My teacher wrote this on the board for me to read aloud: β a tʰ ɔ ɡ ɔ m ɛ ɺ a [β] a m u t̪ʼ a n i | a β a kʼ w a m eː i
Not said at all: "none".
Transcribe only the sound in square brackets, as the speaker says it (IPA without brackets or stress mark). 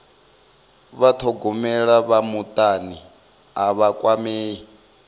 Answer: β